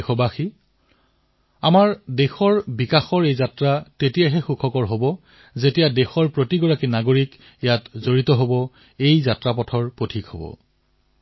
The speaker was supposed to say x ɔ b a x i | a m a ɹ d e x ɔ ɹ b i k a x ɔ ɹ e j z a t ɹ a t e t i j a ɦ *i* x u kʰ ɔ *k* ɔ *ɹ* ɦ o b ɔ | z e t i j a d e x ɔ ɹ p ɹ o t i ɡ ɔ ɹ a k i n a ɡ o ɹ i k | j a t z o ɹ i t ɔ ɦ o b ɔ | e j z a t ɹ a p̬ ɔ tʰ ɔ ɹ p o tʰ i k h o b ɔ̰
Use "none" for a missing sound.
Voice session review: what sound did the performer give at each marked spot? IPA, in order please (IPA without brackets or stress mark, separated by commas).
ɛ, k, ɹ